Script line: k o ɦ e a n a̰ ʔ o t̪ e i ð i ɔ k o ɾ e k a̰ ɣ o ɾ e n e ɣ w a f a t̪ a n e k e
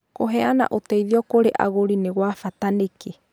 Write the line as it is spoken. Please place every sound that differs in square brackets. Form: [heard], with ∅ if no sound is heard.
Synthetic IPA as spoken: k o ɦ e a n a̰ ʔ o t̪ e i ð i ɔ k o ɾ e [ʔ] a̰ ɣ o ɾ [i] n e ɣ w a f a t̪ a n e k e